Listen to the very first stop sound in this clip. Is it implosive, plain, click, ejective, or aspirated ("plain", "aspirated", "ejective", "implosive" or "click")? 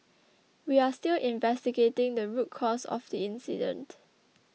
plain